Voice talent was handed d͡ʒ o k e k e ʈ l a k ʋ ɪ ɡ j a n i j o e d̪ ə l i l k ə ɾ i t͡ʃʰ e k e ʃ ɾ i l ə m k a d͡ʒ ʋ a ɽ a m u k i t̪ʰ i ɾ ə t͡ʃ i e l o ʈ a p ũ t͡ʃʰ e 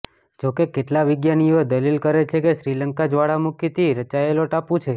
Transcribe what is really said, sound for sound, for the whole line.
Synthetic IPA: d͡ʒ o k e k e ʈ l a ʋ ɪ ɡ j a n i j o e d̪ ə l i l k ə ɾ e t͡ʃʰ e k e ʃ ɾ i l ə ŋ k a d͡ʒ ʋ a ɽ a m u k i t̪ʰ i ɾ ə t͡ʃ a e l o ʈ a p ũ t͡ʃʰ e